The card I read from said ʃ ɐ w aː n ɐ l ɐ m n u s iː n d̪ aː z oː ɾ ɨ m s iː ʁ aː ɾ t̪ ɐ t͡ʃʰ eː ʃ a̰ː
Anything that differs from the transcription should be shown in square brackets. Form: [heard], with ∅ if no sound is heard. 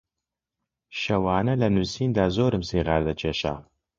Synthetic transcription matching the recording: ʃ ɐ w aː n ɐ l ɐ [∅] n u s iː n d̪ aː z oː ɾ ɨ m s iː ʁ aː ɾ [d̪] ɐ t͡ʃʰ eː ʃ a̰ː